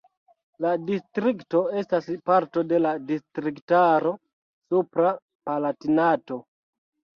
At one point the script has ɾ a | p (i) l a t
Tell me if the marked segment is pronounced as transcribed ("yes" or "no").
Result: no